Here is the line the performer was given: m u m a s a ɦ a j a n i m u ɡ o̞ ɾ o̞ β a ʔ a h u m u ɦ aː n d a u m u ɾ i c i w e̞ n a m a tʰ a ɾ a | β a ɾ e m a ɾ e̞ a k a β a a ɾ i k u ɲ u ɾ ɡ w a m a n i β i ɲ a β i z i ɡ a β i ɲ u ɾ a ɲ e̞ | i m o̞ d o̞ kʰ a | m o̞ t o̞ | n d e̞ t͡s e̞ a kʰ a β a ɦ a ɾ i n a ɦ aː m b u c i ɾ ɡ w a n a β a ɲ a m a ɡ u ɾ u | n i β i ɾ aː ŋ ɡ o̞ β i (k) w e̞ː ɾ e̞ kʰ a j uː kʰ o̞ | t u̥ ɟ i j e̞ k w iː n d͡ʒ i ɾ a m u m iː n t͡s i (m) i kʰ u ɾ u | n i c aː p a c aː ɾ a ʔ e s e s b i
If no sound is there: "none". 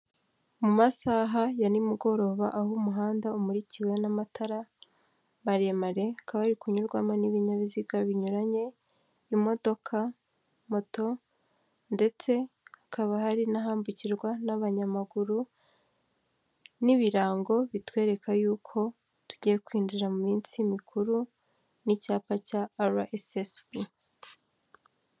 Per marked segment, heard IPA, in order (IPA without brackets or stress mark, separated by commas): t, m